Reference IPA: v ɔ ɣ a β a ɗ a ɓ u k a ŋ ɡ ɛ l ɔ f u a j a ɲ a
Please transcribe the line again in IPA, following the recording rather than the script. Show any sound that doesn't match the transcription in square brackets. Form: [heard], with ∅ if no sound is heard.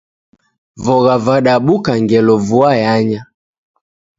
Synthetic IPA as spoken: v ɔ ɣ a [v] a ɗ a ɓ u k a ŋ ɡ ɛ l ɔ [v] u a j a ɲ a